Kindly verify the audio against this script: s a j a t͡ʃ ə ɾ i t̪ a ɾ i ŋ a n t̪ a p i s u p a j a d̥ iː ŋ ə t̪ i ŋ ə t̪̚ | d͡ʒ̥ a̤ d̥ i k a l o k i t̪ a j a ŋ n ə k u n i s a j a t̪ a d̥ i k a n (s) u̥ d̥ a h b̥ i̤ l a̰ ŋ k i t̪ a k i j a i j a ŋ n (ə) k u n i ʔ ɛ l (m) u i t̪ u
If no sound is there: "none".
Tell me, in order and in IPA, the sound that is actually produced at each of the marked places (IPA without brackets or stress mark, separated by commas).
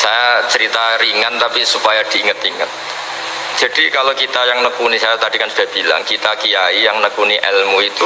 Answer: s, ə, m